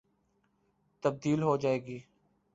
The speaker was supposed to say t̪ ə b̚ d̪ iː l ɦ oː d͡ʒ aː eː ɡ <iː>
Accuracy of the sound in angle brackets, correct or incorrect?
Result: correct